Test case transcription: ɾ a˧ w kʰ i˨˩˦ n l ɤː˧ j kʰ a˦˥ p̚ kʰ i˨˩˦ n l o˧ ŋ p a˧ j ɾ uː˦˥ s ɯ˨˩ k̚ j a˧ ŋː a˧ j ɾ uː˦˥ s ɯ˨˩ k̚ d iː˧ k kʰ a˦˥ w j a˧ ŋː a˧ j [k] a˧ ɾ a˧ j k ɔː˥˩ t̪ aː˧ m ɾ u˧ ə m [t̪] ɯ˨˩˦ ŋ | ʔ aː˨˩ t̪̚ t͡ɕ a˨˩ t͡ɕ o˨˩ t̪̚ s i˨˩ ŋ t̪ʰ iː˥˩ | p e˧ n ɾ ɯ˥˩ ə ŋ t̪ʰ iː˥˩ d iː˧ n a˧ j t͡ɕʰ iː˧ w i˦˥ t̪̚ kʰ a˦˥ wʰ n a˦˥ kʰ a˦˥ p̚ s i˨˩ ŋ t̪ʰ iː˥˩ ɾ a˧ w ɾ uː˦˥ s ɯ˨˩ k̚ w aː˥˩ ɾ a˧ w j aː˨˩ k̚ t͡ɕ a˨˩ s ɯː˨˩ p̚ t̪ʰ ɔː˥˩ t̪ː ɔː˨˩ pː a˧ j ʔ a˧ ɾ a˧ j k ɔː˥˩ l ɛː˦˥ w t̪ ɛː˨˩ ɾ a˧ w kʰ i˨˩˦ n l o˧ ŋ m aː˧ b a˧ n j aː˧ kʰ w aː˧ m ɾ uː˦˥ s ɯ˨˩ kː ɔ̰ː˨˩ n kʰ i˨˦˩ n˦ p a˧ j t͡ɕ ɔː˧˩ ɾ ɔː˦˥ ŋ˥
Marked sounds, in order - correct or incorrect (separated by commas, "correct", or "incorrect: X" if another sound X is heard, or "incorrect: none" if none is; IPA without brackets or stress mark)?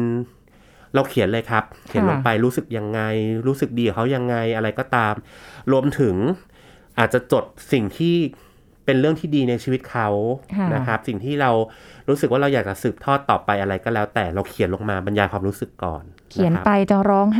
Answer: incorrect: ʔ, incorrect: t̪ʰ